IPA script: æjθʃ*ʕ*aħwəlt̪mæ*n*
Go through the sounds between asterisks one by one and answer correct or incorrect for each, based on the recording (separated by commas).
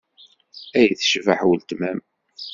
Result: incorrect, incorrect